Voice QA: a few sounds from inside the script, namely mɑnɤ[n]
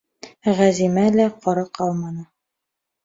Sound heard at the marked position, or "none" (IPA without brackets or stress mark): none